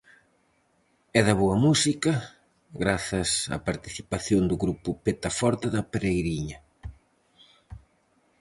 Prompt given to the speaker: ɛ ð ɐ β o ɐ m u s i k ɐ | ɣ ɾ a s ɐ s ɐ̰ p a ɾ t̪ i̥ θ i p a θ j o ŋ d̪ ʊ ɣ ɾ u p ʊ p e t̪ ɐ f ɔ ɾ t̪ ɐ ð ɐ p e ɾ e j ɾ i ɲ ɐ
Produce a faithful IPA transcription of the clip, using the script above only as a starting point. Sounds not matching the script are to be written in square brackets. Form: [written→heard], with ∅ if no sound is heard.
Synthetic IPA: ɛ ð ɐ β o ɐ m u s i k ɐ | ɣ ɾ a [s→θ] ɐ s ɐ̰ p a ɾ t̪ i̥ θ i p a θ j o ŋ d̪ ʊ ɣ ɾ u p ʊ p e t̪ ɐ f ɔ ɾ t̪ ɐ ð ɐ p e ɾ e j ɾ i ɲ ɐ

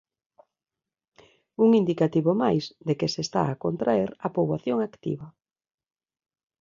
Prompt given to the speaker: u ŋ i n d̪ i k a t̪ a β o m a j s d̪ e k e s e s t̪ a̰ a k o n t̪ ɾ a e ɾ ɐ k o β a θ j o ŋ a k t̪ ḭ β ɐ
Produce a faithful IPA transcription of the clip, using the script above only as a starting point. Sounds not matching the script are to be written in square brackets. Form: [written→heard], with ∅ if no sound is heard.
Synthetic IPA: u ŋ i n d̪ i k a t̪ [a→i] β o m a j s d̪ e k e s e s t̪ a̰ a k o n t̪ ɾ a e ɾ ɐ [k→p] o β a θ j o ŋ a k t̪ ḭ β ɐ

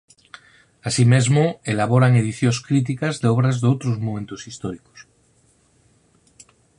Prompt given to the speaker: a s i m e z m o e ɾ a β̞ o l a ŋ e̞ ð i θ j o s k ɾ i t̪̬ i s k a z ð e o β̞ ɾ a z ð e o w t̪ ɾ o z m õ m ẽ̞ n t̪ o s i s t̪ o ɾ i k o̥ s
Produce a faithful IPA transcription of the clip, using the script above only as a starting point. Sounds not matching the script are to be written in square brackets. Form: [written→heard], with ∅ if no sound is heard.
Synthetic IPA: a s i m e z m o e [ɾ→l] a β̞ o [l→ɾ] a ŋ e̞ ð i θ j o s k ɾ i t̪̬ i [s→∅] k a z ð e o β̞ ɾ a z ð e o w t̪ ɾ o z m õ m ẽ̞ n t̪ o s i s t̪ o ɾ i k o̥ s

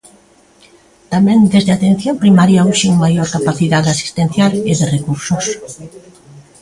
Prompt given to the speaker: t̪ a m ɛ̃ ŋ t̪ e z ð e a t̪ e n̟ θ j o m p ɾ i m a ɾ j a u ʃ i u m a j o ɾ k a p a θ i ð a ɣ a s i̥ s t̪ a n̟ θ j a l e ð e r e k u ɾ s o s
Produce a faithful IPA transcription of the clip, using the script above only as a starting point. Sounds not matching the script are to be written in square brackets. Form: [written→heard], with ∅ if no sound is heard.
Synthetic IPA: t̪ a m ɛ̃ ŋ [t̪→d̪] e z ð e a t̪ e n̟ θ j o m p ɾ i m a ɾ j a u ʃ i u m a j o ɾ k a p a θ i ð a [ɣ→ð] a s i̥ s t̪ [a→e] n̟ θ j a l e ð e r e k u ɾ s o s

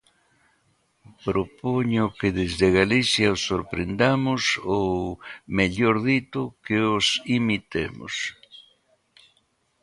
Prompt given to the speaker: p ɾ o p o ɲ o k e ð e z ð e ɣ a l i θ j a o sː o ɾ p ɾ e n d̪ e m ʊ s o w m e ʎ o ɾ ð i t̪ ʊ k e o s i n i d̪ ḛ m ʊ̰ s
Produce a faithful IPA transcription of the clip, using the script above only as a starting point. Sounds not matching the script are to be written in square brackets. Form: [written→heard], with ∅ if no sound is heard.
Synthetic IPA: p ɾ o p o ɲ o k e ð e z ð e ɣ a l i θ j a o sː o ɾ p ɾ e n d̪ [e→a] m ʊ s o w m e ʎ o ɾ ð i t̪ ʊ k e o s i [n→m] i [d̪→t̪] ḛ m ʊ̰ s

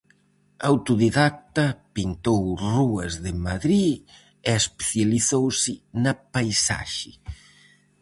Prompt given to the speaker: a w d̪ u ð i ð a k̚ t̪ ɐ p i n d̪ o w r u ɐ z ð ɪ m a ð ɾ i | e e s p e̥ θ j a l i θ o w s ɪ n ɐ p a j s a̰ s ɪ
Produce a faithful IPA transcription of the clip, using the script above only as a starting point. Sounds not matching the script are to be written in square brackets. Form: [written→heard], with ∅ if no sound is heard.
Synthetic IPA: a w [d̪→t̪] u ð i ð a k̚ t̪ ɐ p i n [d̪→t̪] o w r u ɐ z ð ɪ m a ð ɾ i | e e s p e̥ θ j a l i θ o w s ɪ n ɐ p a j s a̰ [s→ʃ] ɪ

